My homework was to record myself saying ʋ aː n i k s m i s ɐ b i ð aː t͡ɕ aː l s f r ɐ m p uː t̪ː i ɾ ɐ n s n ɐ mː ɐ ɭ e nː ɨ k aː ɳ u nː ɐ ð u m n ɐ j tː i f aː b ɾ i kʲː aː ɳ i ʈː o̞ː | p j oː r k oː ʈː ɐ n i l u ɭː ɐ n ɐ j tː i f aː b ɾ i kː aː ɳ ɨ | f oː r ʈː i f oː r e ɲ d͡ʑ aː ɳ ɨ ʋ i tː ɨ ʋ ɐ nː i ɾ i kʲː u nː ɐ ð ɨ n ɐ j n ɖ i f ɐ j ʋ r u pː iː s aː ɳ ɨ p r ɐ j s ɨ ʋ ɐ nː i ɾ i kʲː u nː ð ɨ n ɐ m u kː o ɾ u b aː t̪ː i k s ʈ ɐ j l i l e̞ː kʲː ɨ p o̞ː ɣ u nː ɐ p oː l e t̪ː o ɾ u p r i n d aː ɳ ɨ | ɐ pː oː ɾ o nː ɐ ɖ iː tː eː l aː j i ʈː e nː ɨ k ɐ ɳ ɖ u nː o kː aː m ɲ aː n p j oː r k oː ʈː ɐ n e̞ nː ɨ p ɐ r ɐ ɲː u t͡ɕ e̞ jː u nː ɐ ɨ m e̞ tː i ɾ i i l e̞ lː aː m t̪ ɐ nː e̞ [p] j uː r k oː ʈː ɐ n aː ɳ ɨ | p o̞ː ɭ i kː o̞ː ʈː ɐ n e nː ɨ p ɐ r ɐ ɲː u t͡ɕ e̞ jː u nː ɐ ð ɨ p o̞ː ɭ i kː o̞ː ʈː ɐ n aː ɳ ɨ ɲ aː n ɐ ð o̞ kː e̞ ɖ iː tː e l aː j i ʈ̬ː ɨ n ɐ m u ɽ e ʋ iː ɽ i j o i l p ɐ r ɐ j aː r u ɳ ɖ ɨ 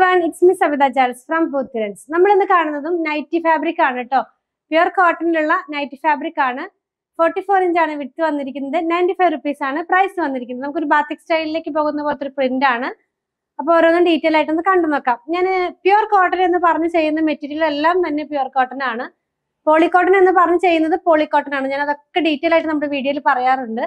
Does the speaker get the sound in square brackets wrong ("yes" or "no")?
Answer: no